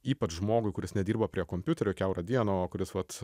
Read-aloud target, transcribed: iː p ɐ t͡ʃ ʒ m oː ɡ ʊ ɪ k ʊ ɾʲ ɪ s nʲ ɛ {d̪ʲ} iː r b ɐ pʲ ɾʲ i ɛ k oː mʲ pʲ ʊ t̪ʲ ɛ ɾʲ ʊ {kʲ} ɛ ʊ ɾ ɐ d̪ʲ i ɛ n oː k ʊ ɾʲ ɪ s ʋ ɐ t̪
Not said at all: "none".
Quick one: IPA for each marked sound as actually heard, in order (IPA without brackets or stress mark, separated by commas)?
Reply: d̪ʲ, kʲ